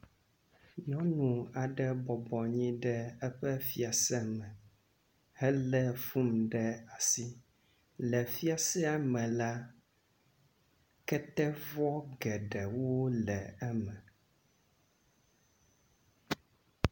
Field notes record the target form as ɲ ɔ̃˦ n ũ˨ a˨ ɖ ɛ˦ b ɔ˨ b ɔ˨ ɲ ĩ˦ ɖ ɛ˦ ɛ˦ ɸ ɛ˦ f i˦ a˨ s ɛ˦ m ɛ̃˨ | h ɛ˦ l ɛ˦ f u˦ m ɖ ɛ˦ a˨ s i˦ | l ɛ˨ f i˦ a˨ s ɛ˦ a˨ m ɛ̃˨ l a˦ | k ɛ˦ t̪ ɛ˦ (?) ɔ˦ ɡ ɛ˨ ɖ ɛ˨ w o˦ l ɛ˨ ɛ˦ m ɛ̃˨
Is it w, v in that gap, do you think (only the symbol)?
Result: v